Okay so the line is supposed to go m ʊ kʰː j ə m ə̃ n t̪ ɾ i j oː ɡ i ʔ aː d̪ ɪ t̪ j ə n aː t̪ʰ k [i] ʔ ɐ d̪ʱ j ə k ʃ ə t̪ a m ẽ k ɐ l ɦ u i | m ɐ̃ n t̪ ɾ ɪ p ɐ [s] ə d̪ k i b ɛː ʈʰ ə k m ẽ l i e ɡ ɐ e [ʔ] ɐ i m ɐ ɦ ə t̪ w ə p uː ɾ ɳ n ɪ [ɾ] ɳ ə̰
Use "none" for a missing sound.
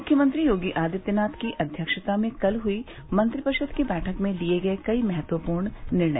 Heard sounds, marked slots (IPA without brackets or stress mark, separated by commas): i, ʃ, k, ɾ